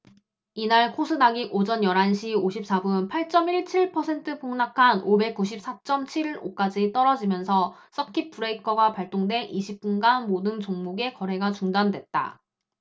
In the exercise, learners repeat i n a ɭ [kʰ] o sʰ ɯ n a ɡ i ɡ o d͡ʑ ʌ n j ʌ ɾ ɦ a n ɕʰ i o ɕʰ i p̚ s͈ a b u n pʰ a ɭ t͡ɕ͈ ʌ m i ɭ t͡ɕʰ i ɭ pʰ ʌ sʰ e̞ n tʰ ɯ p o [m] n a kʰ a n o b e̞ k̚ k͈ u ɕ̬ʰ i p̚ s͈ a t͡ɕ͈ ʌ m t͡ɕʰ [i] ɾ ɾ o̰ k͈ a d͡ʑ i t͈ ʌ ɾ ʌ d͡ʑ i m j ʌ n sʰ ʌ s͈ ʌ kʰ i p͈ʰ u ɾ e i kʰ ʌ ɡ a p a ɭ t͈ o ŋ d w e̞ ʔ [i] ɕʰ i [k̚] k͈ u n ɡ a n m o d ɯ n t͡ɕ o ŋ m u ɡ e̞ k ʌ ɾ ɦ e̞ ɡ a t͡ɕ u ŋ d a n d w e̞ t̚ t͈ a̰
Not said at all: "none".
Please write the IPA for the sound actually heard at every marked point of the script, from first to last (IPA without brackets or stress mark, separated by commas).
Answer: kʰ, ŋ, i, i, p̚